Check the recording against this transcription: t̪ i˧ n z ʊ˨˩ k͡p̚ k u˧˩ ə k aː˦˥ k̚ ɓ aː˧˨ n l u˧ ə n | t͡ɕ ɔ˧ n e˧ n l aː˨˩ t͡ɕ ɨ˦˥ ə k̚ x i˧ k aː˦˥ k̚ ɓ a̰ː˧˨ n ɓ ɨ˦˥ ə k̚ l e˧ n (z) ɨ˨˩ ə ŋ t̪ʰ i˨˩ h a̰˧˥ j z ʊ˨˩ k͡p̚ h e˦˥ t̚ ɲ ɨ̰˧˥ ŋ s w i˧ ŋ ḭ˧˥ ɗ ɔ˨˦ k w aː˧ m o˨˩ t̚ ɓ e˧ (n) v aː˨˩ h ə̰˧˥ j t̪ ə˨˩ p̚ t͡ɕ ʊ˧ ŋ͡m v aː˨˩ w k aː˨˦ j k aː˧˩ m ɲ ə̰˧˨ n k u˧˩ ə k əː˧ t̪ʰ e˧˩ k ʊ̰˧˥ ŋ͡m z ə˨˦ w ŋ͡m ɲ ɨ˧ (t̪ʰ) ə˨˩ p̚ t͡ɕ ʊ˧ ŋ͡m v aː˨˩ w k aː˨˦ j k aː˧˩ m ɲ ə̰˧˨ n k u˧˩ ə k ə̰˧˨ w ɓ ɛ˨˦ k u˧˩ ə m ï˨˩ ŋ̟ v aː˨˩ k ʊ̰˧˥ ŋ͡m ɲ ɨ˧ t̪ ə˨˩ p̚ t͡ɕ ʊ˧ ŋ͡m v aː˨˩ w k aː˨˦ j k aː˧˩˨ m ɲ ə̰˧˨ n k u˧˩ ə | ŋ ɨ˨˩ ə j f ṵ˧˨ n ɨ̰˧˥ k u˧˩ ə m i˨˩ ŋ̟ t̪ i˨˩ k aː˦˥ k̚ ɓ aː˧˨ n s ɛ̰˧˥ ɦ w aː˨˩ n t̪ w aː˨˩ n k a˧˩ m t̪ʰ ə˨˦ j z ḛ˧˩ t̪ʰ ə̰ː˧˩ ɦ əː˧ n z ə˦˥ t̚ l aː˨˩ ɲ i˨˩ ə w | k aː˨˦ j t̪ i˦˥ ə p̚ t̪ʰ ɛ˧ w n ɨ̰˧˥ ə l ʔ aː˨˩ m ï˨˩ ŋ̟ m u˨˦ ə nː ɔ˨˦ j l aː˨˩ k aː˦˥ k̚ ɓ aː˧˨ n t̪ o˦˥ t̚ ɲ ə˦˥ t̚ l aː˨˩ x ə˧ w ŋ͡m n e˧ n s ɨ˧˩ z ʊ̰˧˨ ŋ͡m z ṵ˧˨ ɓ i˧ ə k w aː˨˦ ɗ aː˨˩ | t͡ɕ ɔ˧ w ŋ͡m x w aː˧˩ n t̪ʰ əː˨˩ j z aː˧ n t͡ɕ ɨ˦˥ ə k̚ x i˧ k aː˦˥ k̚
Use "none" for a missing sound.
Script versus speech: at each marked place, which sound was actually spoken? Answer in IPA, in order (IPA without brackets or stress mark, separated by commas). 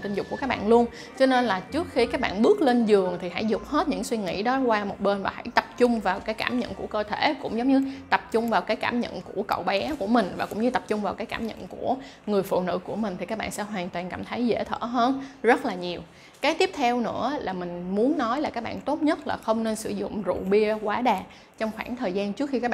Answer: z, n, t̪